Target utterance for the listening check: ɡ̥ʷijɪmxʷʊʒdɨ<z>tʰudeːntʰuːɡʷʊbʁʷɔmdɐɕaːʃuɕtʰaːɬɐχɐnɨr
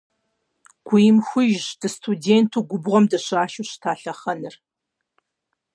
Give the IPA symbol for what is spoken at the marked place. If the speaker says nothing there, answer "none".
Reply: s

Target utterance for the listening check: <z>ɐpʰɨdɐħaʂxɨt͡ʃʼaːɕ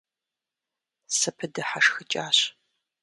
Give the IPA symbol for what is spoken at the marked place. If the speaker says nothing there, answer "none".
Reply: s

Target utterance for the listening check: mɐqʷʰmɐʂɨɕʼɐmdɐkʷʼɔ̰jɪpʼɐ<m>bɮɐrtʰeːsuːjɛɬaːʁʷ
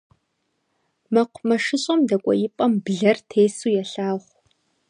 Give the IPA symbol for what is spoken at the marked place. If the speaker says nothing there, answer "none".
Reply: m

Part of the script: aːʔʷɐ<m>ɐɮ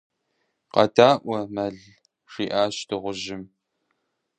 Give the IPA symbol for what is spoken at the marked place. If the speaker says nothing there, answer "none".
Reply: m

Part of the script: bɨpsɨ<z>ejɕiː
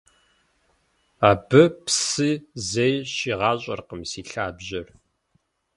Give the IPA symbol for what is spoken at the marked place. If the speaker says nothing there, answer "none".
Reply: z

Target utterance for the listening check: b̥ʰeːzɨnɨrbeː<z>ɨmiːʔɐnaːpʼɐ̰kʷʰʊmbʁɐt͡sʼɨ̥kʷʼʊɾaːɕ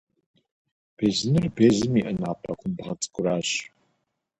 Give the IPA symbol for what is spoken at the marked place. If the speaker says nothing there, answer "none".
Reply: z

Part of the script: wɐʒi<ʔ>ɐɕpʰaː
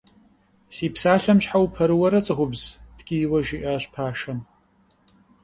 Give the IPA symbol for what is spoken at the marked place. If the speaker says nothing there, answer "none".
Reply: ʔ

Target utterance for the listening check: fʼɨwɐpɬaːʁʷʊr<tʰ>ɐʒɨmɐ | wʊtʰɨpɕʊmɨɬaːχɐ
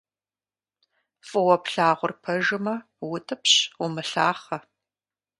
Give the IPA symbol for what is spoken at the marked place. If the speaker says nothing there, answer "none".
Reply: pʰ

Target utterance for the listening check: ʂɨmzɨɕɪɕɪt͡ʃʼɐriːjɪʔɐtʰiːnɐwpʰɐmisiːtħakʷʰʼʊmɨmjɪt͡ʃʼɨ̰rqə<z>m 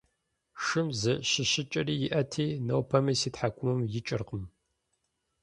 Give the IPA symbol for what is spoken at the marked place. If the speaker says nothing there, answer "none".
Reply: none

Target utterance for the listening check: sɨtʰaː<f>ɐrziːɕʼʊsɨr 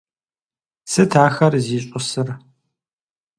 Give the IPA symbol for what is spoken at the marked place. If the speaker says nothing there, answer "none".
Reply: x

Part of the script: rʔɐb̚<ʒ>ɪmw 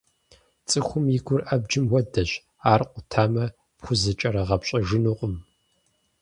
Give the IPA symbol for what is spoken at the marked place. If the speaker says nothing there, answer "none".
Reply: d͡ʒ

